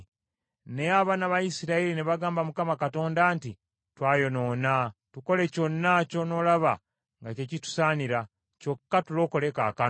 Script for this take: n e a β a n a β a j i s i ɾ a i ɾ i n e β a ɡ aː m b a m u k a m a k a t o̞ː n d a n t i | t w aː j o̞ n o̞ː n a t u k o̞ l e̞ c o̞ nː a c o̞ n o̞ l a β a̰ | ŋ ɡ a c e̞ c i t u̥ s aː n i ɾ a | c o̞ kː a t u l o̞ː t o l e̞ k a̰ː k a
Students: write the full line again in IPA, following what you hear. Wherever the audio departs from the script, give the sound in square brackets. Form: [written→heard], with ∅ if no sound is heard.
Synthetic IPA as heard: n e a β a n a β a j i s i ɾ a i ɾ i n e β a ɡ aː m b a m u k a m a k a t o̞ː n d a n t i | t w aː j o̞ n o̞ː n a t u k o̞ l e̞ c o̞ nː a c o̞ n o̞ l a β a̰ | ŋ ɡ a c e̞ c i t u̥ s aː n i ɾ a | c o̞ kː a t u l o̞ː [t→k] o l e̞ k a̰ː k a